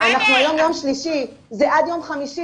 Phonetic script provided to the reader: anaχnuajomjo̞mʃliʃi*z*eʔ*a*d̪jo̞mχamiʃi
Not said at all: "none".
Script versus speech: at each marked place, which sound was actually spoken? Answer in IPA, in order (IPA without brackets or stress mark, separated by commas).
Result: z, a